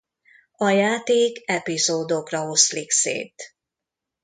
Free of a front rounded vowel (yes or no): yes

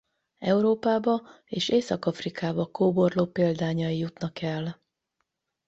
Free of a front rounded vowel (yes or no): yes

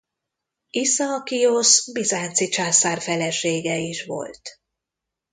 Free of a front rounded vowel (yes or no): yes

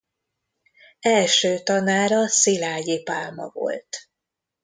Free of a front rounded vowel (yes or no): no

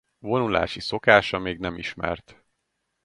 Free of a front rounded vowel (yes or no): yes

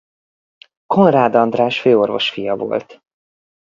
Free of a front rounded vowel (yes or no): no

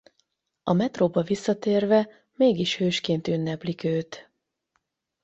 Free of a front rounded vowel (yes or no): no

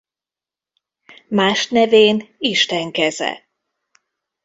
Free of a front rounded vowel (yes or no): yes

